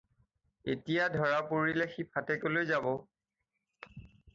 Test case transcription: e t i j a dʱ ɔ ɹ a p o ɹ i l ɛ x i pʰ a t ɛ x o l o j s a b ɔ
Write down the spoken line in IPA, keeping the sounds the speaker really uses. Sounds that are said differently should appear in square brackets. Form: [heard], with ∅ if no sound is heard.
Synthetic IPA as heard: e t i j a dʱ ɔ ɹ a p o ɹ i l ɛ x i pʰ a t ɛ [k] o l o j [z] a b ɔ